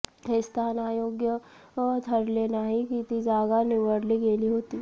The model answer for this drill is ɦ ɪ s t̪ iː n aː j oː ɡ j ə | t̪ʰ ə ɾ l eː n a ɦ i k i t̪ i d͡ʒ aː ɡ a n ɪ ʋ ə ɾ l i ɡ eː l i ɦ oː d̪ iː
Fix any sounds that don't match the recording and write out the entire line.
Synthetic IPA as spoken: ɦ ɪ s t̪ aː n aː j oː ɡ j ə | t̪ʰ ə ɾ l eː n a ɦ i k i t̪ i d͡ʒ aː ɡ a n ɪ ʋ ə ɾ l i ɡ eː l i ɦ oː t̪ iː